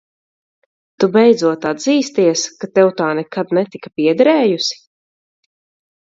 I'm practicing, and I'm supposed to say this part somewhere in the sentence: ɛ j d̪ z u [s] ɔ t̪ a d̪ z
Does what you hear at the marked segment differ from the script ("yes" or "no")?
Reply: yes